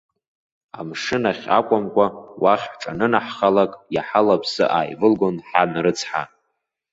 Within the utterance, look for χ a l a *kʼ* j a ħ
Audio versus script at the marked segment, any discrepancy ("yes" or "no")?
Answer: no